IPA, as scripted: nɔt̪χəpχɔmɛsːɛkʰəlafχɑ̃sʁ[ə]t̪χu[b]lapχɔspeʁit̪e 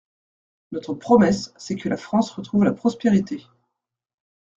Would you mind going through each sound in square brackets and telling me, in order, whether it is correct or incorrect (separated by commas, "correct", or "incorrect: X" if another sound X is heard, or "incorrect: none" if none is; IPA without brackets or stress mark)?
correct, incorrect: v